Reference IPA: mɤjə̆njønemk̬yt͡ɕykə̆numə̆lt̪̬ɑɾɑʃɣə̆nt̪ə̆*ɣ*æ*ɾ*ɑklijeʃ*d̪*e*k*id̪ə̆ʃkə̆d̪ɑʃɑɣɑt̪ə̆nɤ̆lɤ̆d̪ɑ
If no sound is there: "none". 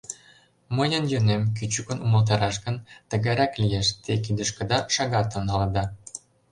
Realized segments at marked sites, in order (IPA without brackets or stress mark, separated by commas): ɣ, ɾ, t̪, k